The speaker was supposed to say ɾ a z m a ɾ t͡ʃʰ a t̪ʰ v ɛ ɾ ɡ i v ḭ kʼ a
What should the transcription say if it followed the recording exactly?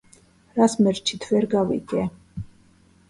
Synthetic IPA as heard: ɾ a s m ɛ ɾ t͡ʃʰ i t̪ʰ v ɛ ɾ ɡ a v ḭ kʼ ɛ